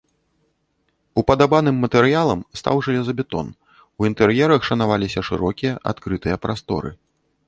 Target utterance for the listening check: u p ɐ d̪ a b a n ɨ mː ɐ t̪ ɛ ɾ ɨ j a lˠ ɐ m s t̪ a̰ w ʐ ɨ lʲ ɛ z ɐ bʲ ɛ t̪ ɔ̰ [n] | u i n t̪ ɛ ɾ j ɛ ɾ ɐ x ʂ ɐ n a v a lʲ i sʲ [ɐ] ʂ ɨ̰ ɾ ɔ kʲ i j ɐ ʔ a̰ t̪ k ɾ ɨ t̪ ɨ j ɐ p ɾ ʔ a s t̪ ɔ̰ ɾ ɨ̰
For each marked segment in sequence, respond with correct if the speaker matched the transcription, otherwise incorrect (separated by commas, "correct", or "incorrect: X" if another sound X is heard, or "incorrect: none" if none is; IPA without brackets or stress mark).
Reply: correct, correct